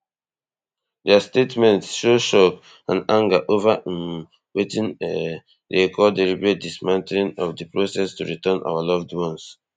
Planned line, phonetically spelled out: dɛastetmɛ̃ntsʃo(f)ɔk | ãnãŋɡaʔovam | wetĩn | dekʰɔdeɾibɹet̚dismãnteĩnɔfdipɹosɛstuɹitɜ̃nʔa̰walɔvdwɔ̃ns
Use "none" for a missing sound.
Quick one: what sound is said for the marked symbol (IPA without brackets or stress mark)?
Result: ʃ